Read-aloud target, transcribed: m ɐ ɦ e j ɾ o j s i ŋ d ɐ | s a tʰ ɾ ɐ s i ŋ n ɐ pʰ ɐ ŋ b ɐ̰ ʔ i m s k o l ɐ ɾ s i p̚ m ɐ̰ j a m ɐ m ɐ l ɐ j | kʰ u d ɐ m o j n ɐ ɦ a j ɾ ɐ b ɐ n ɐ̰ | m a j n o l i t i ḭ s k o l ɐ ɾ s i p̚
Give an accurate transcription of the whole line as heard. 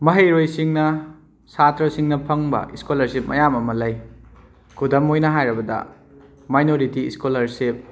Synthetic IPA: m ɐ ɦ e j ɾ o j s i ŋ n ɐ | s a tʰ ɾ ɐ s i ŋ n ɐ pʰ ɐ ŋ b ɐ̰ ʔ i s k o l ɐ ɾ s i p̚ m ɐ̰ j a m ɐ m ɐ l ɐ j | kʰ u d ɐ m o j n ɐ ɦ a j ɾ ɐ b ɐ d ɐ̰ | m a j n o ɾ i t i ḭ s k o l ɐ ɾ s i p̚

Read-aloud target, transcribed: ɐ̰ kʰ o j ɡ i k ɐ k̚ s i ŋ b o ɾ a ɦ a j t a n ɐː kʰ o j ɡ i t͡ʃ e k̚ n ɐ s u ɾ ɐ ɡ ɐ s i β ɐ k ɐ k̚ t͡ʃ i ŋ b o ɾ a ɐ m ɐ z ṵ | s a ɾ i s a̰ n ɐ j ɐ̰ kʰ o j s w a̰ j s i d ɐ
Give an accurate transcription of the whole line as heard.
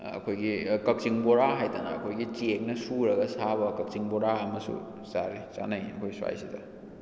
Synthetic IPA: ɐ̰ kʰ o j ɡ i k ɐ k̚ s i ŋ b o ɾ a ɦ a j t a n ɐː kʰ o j ɡ i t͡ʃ e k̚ n ɐ s u ɾ ɐ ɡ ɐ s a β ɐ k ɐ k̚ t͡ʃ i ŋ b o ɾ a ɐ m ɐ s ṵ | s a ɾ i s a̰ n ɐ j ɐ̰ kʰ o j s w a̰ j s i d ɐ

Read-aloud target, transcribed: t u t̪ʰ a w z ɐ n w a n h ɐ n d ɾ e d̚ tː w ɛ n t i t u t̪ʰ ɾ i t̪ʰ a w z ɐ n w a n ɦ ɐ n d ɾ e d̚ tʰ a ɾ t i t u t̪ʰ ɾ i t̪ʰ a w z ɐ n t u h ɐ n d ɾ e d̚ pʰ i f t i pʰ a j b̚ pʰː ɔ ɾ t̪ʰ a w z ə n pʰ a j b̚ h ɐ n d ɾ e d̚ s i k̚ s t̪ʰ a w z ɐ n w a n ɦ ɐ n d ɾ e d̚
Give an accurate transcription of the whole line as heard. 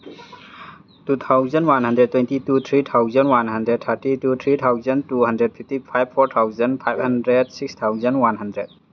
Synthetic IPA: t u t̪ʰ a w z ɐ n w a n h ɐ n d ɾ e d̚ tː w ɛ n t i t u t̪ʰ ɾ i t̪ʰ a w z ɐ n w a n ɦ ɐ n d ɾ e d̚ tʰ a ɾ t i t u t̪ʰ ɾ i t̪ʰ a w z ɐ n t u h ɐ n d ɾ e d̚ pʰ i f t i pʰ a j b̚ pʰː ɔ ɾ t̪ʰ a w z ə n pʰ a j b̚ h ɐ n d ɾ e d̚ s i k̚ s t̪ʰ a w z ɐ n w a n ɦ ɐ n d ɾ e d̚

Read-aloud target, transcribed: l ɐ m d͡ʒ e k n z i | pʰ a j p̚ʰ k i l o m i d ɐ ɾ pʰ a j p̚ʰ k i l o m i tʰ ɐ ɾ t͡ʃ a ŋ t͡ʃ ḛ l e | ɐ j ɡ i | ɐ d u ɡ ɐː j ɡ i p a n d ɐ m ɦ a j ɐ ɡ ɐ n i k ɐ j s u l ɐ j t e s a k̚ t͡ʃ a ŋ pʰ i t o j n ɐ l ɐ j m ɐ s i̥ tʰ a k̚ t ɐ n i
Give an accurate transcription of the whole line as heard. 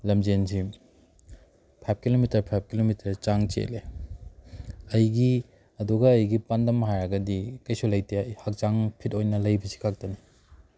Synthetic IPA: l ɐ m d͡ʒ e n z i | pʰ a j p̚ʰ k i l o m i t ɐ ɾ pʰ a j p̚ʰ k i l o m i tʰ ɐ ɾ t͡ʃ a ŋ t͡ʃ ḛ l e | ɐ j ɡ i | ɐ d u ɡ ɐː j ɡ i p a n d ɐ m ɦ a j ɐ ɡ ɐ d i k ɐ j s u l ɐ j t e h a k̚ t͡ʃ a ŋ pʰ i t o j n ɐ l ɐ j b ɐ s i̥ kʰ a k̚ t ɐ n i

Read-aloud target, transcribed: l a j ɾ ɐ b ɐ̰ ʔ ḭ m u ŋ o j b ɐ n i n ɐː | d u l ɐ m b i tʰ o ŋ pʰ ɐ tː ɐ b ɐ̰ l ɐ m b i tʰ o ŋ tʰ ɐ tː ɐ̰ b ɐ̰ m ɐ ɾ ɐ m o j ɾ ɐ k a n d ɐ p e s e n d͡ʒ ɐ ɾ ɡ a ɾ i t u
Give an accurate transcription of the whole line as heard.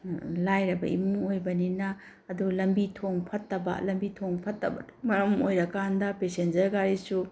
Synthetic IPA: l a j ɾ ɐ b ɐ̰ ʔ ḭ m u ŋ o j b ɐ n i n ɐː | d u l ɐ m b i tʰ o ŋ pʰ ɐ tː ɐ b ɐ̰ l ɐ m b i tʰ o ŋ pʰ ɐ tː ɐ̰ b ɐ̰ m ɐ ɾ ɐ m o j ɾ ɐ k a n d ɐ p e s e n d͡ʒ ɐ ɾ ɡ a ɾ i s u

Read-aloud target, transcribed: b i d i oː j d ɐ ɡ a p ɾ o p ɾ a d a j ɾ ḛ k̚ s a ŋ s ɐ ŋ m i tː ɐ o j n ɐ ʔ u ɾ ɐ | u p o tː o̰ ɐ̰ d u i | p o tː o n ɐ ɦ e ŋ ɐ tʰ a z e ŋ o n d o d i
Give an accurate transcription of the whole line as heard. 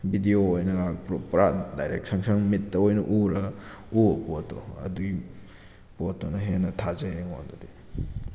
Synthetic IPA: b i d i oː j n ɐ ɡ a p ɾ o p ɾ a d a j ɾ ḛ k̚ s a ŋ s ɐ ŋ m i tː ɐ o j n ɐ ʔ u ɾ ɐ | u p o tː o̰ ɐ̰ d u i | p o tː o n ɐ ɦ e n ɐ tʰ a z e ŋ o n d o d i

